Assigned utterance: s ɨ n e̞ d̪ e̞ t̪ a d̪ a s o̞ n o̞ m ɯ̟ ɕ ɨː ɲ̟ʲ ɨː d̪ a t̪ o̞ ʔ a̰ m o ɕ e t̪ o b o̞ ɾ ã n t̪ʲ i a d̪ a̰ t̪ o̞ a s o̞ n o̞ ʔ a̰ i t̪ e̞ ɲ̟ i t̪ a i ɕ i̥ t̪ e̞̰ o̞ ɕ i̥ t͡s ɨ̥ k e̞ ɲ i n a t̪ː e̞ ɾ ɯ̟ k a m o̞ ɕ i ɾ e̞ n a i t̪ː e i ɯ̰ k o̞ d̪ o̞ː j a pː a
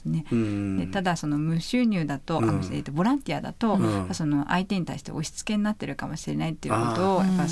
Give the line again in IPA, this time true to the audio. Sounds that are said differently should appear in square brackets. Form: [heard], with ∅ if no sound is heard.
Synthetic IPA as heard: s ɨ n e̞ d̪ e̞ t̪ a d̪ a s o̞ n o̞ m ɯ̟ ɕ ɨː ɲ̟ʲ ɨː d̪ a t̪ o̞ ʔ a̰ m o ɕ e t̪ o b o̞ ɾ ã n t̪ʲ i a d̪ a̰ t̪ o̞ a s o̞ n o̞ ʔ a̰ i t̪ e̞ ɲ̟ i t̪ a i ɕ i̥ t̪ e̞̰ o̞ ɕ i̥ t͡s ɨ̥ k e̞ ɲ i n a t̪ː e̞ ɾ ɯ̟ k a m o̞ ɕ i ɾ e̞ n a i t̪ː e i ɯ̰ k o̞ [t̪] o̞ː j a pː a